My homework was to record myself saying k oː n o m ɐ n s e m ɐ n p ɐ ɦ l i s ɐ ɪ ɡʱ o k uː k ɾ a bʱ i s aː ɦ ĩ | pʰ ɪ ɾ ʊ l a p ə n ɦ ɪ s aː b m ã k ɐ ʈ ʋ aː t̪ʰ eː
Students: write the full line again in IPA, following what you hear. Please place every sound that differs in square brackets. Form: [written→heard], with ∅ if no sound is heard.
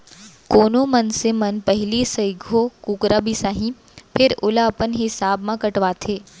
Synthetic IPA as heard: k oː n o m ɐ n s e m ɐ n p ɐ ɦ l i s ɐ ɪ ɡʱ o k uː k ɾ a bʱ i s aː ɦ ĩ | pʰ ɪ ɾ ʊ l a p ə n ɦ ɪ s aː b m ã k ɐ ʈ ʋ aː t̪ʰ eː